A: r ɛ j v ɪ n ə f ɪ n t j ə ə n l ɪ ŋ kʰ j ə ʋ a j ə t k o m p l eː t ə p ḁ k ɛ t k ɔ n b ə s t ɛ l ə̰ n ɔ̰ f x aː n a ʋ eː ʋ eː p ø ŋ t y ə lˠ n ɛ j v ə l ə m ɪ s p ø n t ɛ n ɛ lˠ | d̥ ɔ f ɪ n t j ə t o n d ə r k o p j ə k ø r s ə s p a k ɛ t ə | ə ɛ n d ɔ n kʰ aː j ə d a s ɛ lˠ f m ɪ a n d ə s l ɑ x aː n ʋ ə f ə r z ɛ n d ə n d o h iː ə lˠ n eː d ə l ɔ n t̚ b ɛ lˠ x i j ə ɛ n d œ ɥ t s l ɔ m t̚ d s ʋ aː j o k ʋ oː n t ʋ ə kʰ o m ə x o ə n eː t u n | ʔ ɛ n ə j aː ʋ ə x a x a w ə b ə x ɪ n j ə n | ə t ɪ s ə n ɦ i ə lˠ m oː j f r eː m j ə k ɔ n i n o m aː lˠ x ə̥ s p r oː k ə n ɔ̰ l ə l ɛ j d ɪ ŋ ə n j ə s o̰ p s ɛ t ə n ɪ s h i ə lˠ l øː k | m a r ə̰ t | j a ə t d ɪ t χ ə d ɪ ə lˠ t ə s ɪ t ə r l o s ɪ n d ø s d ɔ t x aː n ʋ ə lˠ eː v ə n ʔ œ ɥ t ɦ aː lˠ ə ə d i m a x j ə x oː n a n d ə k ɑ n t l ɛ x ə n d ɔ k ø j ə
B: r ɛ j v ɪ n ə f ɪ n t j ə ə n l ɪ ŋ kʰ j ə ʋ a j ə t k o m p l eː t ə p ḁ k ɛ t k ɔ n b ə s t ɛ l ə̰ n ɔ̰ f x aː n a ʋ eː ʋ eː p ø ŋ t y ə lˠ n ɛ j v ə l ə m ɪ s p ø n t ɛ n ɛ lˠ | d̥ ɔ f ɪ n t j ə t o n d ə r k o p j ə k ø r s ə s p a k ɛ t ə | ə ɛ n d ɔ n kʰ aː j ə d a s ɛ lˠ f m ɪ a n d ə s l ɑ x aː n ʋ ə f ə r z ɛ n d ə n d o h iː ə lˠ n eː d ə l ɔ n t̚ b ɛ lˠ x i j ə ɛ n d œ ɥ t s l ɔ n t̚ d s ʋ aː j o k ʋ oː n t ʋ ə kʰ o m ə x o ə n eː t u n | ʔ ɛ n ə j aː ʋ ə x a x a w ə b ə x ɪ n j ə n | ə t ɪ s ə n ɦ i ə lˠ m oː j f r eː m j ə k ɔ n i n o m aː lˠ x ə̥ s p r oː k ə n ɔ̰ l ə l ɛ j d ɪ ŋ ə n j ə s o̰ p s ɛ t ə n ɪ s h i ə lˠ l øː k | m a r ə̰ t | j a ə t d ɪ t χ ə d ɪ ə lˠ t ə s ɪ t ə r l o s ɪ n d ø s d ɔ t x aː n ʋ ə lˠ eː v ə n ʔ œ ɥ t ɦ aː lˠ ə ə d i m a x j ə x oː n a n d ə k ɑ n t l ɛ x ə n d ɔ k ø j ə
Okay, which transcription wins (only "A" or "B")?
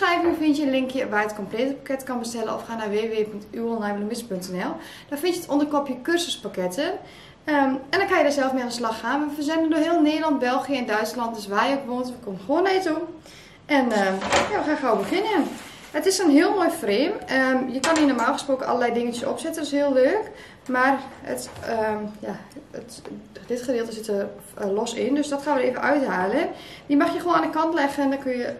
B